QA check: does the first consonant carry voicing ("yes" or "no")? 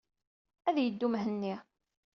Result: yes